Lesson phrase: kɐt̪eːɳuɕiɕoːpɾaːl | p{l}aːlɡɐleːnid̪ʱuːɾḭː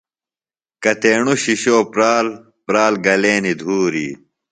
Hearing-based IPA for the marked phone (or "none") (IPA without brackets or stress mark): ɾ